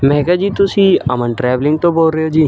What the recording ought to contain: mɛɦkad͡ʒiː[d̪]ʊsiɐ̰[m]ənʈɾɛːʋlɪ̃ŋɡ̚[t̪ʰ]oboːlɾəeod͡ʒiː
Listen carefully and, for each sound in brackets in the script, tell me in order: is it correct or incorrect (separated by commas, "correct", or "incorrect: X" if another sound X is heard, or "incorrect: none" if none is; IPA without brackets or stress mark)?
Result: incorrect: t̪, correct, incorrect: t̪